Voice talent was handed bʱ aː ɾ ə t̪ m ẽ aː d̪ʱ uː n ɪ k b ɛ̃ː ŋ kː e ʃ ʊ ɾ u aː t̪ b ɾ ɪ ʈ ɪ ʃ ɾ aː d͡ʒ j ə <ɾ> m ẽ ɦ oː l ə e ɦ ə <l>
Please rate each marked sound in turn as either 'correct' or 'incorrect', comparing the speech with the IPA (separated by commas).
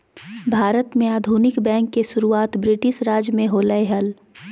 incorrect, correct